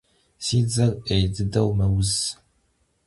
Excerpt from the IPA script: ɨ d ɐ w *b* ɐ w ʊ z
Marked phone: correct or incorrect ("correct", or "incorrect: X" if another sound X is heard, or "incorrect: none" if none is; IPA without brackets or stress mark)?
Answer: incorrect: m